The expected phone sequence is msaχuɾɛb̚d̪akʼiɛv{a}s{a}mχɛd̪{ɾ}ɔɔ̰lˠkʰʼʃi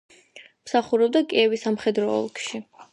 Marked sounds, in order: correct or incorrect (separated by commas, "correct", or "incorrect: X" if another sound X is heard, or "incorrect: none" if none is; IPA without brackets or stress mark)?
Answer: incorrect: i, correct, correct